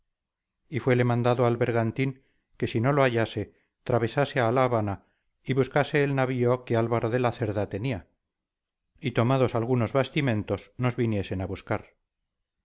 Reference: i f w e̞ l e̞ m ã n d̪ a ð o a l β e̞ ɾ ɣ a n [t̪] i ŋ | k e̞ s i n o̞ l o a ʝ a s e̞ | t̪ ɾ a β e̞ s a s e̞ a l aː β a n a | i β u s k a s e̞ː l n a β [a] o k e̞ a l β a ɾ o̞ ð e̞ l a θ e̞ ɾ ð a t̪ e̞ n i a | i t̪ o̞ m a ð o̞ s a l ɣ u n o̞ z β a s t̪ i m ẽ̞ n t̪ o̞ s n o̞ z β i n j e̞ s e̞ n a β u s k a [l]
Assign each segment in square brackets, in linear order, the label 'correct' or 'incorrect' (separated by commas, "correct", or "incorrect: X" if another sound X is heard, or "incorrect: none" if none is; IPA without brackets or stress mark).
correct, incorrect: i, incorrect: ɾ